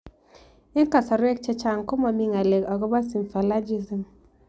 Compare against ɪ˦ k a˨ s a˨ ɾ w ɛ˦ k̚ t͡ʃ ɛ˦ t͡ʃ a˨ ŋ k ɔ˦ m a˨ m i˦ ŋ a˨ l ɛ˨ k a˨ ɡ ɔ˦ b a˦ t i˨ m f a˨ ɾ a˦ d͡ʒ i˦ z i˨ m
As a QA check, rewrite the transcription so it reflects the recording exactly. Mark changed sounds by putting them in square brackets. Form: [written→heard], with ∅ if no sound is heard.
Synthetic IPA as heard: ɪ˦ k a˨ s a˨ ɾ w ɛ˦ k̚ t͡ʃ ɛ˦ t͡ʃ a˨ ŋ k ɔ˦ m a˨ m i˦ ŋ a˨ l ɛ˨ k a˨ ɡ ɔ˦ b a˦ [t→s] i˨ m f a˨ [ɾ→l] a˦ d͡ʒ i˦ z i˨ m